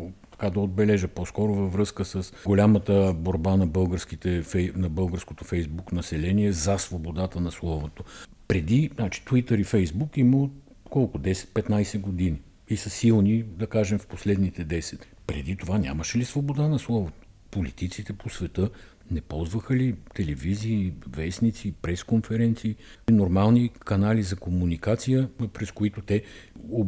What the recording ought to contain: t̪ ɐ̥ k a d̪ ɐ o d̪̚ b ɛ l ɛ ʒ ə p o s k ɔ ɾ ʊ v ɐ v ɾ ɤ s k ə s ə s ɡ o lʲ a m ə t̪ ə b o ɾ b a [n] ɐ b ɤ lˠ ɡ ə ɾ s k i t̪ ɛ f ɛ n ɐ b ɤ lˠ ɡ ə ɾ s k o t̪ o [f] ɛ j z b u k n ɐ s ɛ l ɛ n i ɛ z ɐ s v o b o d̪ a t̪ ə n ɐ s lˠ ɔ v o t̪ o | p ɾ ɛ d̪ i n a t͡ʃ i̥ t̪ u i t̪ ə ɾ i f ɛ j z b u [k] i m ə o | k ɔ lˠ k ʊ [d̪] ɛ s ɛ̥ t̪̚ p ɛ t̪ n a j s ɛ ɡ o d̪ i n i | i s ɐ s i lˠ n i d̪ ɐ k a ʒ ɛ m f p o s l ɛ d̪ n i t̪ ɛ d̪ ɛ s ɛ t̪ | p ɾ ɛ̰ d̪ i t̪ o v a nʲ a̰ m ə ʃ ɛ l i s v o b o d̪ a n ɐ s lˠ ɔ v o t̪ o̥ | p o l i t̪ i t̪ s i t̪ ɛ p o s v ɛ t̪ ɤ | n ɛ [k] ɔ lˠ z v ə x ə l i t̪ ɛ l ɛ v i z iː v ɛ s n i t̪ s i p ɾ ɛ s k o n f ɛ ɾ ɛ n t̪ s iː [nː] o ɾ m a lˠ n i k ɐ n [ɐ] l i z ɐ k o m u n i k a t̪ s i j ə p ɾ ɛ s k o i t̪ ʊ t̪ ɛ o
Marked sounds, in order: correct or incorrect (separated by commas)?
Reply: correct, correct, correct, correct, incorrect, incorrect, incorrect